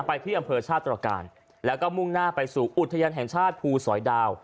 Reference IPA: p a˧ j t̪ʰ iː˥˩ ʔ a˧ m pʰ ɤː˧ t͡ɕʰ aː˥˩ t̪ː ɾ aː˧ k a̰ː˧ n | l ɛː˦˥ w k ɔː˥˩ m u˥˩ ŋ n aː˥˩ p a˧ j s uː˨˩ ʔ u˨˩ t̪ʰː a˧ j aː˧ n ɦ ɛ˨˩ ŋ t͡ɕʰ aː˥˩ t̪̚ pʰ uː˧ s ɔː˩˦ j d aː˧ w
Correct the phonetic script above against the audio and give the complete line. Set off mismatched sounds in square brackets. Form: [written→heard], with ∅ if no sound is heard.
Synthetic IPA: p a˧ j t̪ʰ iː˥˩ ʔ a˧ m pʰ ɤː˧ t͡ɕʰ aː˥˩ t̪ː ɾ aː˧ k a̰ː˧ n | l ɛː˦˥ w k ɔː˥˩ m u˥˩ ŋ n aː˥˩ p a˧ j s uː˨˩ ʔ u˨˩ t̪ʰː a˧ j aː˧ n ɦ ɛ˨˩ ŋ t͡ɕʰ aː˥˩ t̪̚ pʰ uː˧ s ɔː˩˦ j d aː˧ w